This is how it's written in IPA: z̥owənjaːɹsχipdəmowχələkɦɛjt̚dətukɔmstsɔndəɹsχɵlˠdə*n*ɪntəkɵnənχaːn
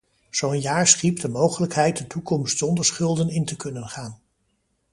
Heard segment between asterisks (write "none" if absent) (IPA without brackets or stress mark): n